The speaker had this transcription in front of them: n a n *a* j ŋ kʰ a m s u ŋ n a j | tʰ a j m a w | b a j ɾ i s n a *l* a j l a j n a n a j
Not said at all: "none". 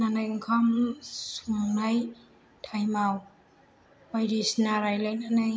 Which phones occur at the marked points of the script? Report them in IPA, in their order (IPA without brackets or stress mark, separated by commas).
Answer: a, ɾ